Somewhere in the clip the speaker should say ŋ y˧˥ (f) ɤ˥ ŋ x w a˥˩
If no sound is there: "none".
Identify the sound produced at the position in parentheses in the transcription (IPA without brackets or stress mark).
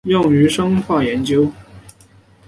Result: ʂ